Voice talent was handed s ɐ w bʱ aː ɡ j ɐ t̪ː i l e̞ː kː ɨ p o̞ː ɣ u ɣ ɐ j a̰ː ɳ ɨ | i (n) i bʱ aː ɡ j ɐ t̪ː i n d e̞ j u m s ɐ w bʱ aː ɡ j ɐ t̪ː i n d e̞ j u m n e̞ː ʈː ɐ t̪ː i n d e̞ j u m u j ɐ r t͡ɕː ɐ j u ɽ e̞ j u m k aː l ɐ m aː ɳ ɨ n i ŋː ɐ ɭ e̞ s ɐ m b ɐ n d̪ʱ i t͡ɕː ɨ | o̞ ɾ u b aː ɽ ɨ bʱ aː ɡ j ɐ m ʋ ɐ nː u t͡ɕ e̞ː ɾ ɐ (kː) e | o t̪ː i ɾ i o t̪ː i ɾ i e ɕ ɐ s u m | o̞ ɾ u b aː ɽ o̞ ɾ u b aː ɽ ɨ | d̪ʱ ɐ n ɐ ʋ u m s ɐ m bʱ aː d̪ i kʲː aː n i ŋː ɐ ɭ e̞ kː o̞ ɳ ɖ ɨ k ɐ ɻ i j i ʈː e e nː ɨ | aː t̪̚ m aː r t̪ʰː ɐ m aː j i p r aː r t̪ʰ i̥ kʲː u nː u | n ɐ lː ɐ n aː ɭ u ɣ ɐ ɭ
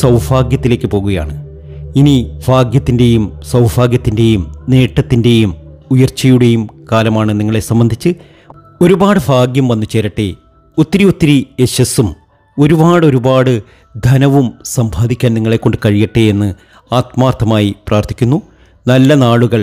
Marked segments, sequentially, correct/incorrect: correct, incorrect: ʈː

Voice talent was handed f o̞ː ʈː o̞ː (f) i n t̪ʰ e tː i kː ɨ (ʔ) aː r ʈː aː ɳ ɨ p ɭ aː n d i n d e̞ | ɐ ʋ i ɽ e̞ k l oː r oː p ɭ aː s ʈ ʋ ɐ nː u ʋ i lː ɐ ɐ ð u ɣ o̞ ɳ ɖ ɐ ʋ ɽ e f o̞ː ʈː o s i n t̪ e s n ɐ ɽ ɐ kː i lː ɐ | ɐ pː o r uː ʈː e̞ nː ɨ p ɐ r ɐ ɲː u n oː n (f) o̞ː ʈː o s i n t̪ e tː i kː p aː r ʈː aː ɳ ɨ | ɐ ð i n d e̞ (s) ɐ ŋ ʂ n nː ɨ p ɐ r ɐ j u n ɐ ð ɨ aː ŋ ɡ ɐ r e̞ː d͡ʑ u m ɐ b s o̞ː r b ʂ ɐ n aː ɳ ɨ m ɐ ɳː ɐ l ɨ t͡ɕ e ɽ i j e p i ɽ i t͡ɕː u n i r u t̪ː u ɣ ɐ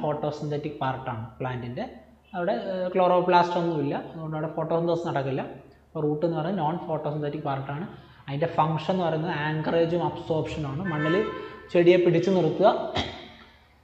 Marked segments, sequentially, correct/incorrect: incorrect: s, incorrect: p, correct, incorrect: f

